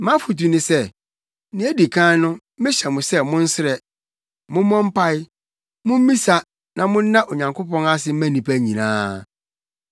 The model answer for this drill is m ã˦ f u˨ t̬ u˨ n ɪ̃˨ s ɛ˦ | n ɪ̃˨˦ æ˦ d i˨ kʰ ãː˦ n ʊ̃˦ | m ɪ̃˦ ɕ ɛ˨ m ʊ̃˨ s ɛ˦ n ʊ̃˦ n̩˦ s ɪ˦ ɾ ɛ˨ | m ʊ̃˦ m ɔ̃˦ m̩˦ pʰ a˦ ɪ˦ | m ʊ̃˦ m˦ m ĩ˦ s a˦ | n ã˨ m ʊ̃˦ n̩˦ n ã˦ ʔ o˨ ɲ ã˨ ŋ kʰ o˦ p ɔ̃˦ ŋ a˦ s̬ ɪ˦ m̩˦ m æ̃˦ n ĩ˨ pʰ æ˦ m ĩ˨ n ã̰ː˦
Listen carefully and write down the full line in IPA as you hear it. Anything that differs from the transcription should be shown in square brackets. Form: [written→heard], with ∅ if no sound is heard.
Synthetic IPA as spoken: m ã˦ f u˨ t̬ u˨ n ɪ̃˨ s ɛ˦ | n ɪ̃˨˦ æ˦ d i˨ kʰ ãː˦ n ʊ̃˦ | m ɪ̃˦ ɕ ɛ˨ m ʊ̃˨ s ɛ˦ [n→m] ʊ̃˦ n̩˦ s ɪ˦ ɾ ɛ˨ | m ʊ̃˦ m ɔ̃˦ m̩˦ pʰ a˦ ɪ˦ | m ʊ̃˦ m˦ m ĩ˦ s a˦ | n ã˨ m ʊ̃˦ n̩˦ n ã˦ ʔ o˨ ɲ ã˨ ŋ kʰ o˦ p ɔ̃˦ [ŋ→n] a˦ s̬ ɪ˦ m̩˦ m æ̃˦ n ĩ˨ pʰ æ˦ [m→ɲ] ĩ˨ n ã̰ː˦